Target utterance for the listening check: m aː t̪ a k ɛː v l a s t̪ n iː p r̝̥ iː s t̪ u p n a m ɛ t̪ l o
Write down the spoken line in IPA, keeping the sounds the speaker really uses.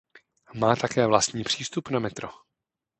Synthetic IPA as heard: m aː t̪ a k ɛː v l a s t̪ ɲ iː p r̝̥ iː s t̪ u p n a m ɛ t̪ ɾ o